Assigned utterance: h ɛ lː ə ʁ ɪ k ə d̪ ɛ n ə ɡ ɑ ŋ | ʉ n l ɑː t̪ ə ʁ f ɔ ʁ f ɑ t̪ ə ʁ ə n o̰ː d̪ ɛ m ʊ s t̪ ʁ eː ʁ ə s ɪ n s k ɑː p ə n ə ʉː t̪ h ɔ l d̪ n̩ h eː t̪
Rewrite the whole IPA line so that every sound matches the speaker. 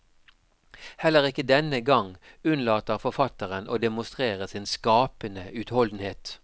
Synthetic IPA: h ɛ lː ə ʁ ɪ k ə d̪ ɛ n ə ɡ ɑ ŋ | ʉ n l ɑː t̪ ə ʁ f ɔ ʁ f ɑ t̪ ə ʁ ə n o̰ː d̪ ɛ m ʊ s t̪ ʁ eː ʁ ə s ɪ n s k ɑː p ə n ə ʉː t̪ h ɔ l d̪ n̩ h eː t̪